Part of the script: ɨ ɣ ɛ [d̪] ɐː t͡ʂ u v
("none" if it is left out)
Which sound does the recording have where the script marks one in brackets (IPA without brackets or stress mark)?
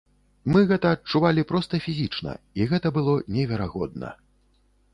t̪